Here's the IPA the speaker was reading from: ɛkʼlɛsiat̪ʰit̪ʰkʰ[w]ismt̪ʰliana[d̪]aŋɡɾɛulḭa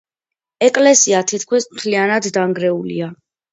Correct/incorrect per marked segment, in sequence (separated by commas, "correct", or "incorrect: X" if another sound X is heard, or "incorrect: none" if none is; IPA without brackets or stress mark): correct, incorrect: d̪ː